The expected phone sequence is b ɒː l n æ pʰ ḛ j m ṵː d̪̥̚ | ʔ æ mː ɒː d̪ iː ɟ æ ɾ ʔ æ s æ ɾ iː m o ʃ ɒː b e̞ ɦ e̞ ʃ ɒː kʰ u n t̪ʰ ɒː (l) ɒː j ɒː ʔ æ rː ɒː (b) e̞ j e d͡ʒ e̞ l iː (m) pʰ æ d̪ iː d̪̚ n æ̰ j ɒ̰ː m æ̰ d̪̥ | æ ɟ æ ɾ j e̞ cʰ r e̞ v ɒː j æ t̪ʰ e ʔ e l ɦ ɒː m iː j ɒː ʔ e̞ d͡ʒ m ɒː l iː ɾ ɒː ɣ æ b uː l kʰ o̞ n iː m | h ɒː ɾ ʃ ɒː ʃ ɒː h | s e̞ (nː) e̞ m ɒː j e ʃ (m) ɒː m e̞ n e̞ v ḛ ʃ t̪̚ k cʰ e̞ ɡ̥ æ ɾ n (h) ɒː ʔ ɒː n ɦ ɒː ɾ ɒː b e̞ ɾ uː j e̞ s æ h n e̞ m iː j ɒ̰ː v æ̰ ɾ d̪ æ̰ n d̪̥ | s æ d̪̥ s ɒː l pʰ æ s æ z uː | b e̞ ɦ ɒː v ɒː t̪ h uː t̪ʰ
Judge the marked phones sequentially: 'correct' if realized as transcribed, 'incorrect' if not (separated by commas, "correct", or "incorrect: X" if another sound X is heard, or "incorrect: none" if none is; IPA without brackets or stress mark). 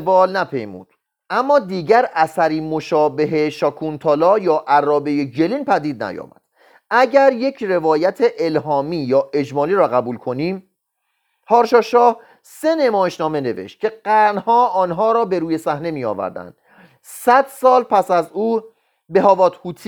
correct, correct, incorrect: n, incorrect: n, incorrect: n, correct